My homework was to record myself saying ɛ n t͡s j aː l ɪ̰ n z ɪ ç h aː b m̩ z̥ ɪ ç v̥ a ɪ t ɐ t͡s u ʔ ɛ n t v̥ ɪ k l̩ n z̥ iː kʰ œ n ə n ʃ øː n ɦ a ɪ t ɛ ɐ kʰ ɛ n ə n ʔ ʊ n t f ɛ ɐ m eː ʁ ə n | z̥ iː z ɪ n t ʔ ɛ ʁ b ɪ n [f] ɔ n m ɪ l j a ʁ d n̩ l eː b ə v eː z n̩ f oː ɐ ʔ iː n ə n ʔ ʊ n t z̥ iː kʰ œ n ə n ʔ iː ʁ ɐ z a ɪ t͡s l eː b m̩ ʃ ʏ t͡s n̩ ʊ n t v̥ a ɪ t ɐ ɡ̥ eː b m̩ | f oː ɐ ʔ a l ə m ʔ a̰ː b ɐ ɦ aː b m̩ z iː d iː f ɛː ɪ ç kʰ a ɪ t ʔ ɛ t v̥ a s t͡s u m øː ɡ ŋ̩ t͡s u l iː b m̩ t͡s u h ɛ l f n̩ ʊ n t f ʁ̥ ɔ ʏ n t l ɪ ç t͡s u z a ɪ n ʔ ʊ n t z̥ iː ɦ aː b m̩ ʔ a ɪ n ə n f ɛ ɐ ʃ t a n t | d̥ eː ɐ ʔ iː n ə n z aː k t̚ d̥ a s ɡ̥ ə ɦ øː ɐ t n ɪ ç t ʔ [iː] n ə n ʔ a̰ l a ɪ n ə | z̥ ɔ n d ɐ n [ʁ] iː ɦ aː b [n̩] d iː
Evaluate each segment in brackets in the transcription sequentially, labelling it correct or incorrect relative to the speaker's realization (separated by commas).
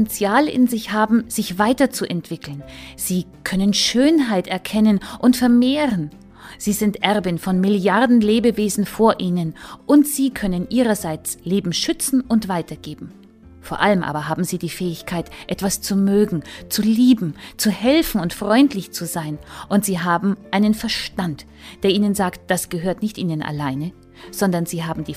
correct, correct, incorrect, incorrect